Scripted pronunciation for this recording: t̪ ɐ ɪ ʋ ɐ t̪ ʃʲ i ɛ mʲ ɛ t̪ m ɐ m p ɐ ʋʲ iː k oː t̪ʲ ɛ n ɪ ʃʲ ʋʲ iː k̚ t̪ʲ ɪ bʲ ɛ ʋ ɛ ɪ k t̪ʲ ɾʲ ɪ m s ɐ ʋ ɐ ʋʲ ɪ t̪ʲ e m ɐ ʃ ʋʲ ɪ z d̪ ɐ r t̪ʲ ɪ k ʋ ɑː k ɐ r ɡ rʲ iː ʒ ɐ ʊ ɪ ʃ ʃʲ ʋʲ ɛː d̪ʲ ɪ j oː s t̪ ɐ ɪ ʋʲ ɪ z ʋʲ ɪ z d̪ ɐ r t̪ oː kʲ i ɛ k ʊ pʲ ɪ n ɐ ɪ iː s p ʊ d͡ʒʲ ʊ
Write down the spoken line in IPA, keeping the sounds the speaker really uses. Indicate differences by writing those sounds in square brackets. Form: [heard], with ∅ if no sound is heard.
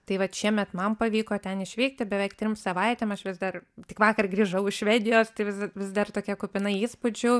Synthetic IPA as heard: t̪ ɐ ɪ ʋ ɐ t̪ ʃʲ i ɛ mʲ ɛ t̪ m ɐ m p ɐ ʋʲ iː k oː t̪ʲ ɛ n ɪ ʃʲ ʋʲ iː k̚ t̪ʲ ɪ bʲ ɛ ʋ ɛ ɪ k t̪ʲ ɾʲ ɪ m s ɐ ʋ ɐ [∅] ɪ t̪ʲ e m ɐ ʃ ʋʲ ɪ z d̪ ɐ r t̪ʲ ɪ k ʋ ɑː k ɐ r ɡ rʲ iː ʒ ɐ ʊ ɪ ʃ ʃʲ ʋʲ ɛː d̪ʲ ɪ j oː s t̪ ɐ ɪ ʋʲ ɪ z ʋʲ ɪ z d̪ ɐ r t̪ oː kʲ i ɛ k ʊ pʲ ɪ n ɐ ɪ iː s p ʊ d͡ʒʲ ʊ